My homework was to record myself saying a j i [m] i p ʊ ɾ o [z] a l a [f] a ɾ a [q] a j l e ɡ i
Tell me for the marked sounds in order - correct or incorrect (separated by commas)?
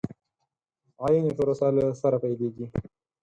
incorrect, incorrect, incorrect, incorrect